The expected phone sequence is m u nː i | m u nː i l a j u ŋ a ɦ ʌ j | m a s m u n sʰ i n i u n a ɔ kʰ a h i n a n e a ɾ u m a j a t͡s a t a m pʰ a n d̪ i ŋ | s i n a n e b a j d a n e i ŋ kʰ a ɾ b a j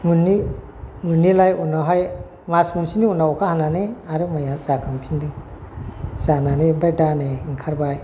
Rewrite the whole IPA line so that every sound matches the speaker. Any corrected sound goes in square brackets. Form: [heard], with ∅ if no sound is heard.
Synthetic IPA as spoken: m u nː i | m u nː i l a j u [n] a ɦ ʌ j | m a s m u n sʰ i n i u n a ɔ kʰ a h [a] n a n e a ɾ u m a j a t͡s a [k] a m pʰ [i] n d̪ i ŋ | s [a] n a n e b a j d a n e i ŋ kʰ a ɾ b a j